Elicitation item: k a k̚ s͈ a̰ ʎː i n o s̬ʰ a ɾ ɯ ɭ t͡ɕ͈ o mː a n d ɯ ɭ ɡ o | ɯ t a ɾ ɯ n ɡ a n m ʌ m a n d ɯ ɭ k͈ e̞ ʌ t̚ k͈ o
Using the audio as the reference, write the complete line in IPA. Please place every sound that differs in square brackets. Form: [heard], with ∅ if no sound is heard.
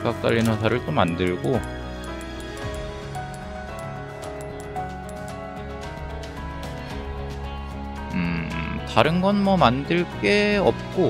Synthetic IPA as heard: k a k̚ [t͈] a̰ ʎː i n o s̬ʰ a ɾ ɯ ɭ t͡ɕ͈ o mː a n d ɯ ɭ ɡ o | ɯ t a ɾ ɯ n ɡ [ʌ] n m ʌ m a n d ɯ ɭ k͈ e̞ ʌ [p̚] k͈ o